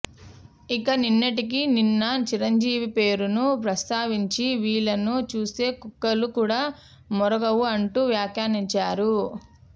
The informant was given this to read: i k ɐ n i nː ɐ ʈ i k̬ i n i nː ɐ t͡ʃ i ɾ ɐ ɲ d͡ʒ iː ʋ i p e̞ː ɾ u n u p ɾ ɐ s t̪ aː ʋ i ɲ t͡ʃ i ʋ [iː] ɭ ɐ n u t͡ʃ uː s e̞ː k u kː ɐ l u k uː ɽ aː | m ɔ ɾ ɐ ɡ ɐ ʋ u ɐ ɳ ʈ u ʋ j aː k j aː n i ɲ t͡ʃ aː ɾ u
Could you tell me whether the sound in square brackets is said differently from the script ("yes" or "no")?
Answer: no